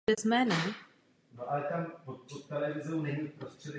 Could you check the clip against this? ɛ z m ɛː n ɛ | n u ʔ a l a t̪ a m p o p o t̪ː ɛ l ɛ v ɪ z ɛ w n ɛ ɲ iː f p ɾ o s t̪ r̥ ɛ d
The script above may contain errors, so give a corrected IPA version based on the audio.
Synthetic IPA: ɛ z m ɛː n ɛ | n o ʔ a l ɛ t̪ a m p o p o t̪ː ɛ l ɛ v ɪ z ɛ w n ɛ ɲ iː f p ɾ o s t̪ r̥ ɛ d